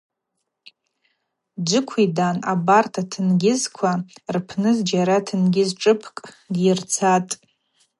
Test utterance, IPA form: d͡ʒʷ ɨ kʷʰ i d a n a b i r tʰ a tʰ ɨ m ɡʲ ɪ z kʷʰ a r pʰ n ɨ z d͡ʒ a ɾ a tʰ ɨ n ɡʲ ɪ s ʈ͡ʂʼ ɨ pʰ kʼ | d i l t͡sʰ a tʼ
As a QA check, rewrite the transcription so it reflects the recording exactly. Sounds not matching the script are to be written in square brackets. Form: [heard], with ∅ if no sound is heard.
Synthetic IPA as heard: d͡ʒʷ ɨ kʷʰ i d a n a b [a] r tʰ a tʰ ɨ [n] ɡʲ ɪ z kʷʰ a r pʰ n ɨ z d͡ʒ a ɾ a tʰ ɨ n ɡʲ ɪ [z] ʈ͡ʂʼ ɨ pʰ kʼ | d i [r] t͡sʰ a tʼ